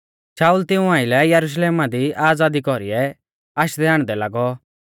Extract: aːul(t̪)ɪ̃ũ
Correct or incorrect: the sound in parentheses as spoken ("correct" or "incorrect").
correct